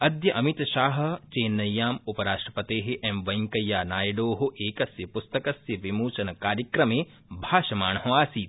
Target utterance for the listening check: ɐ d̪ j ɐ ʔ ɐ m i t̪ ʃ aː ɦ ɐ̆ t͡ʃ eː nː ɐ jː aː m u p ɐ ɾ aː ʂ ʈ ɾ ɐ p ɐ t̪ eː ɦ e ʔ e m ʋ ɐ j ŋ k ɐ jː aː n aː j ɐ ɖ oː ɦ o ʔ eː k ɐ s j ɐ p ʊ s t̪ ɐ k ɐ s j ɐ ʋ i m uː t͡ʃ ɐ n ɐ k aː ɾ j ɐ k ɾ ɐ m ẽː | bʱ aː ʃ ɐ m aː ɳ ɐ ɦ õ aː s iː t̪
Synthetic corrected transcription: ɐ d̪ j ɐ ʔ ɐ m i t̪ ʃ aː ɦ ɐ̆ t͡ʃ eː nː ɐ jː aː m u p ɐ ɾ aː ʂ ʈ ɾ ɐ p ɐ t̪ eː ɦ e ʔ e m ʋ ɐ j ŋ k ɐ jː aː n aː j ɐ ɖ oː ɦ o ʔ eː k ɐ s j ɐ p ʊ s t̪ ɐ k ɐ s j ɐ ʋ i m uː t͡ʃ ɐ n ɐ k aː ɾ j ɐ k ɾ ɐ m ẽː | bʱ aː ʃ ɐ m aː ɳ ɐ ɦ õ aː s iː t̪